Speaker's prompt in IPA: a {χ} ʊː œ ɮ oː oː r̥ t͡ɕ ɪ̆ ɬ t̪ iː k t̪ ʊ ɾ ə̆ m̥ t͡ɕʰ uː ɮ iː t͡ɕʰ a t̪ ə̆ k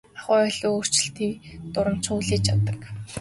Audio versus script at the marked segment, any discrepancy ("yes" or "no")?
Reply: no